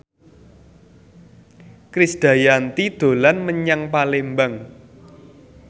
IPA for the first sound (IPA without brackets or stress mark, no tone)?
k